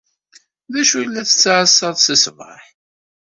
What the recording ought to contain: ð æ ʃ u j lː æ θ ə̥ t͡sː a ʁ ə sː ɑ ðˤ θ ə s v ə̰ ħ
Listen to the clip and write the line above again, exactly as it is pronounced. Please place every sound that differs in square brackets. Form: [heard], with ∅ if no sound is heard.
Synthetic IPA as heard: ð æ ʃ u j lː æ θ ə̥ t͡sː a [ʕ] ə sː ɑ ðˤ [s] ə s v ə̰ ħ